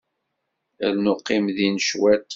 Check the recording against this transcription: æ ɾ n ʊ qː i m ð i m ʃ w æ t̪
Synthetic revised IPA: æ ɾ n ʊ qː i m ð i n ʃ w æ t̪